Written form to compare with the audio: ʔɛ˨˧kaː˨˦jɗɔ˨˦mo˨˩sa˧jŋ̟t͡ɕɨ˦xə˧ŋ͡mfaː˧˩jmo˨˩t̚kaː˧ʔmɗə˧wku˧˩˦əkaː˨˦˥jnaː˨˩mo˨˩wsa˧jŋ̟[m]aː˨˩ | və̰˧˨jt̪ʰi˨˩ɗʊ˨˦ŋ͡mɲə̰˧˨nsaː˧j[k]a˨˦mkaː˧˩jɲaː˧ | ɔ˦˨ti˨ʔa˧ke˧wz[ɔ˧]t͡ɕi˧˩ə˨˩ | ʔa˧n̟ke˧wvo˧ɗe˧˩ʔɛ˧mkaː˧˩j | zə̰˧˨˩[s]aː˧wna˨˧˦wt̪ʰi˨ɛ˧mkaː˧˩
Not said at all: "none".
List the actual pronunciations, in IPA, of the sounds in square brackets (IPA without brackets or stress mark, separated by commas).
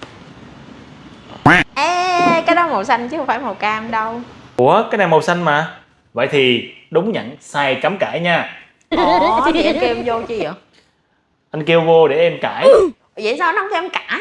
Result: m, k, o˧, s